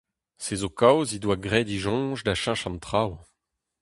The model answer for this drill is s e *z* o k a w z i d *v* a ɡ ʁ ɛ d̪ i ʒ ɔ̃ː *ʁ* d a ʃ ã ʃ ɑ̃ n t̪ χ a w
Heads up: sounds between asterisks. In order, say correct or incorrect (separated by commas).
correct, incorrect, incorrect